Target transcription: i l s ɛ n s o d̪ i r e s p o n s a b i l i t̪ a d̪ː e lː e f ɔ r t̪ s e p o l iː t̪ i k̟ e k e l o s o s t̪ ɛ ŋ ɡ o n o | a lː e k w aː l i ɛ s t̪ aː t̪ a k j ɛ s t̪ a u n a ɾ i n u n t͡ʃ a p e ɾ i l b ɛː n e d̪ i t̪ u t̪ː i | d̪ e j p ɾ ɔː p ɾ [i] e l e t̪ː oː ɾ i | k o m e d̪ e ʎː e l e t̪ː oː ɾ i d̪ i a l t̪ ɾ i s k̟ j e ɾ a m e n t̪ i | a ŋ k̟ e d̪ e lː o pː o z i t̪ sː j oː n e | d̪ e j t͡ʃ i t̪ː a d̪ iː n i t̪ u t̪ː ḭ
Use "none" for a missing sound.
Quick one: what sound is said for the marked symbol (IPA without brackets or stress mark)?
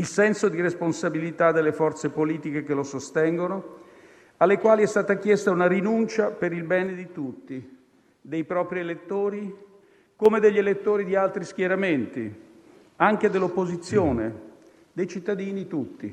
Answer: i